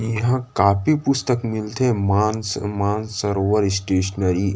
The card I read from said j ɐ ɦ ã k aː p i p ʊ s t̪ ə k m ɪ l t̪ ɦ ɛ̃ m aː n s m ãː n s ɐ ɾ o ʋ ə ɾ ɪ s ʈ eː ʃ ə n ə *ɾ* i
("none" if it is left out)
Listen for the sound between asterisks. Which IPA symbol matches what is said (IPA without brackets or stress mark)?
ɾ